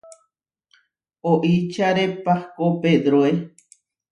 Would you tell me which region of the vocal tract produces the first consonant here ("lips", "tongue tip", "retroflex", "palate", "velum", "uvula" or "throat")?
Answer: throat